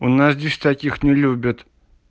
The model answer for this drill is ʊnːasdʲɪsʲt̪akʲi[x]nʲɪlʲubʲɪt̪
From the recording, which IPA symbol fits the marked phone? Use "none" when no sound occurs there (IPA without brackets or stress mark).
x